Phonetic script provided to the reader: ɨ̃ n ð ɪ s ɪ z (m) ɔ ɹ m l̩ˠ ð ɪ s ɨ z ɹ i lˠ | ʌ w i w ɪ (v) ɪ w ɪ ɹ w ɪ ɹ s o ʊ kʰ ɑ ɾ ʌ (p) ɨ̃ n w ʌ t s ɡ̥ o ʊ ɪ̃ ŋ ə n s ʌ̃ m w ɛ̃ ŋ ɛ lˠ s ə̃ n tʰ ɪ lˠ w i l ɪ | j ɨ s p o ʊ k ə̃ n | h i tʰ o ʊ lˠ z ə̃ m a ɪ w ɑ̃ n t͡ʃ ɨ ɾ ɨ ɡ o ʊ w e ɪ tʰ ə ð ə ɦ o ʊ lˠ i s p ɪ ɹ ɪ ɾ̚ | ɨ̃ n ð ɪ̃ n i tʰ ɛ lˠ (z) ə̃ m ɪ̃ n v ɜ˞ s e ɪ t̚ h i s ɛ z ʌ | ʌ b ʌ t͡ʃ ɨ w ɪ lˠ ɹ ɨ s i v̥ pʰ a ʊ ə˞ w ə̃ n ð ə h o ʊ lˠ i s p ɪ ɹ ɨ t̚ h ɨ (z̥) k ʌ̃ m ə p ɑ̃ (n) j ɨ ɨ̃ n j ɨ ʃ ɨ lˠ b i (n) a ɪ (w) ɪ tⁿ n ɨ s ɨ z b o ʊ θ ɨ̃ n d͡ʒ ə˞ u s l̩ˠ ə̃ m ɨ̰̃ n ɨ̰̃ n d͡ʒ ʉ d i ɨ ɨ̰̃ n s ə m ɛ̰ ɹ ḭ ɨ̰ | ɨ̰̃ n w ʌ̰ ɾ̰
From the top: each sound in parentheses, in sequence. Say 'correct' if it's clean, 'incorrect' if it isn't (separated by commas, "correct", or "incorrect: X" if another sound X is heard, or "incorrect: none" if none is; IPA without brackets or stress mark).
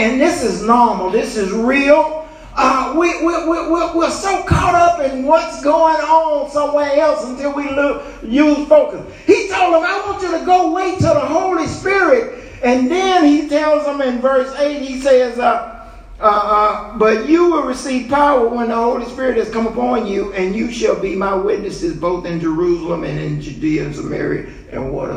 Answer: incorrect: n, incorrect: w, correct, correct, correct, correct, incorrect: m, correct